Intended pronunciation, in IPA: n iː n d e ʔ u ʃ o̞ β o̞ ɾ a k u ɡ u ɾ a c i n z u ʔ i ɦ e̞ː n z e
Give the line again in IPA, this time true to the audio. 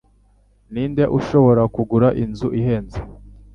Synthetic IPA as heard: n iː n d e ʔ u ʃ o̞ β o̞ ɾ a k u ɡ u ɾ a ʔ i n z u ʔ i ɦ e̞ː n z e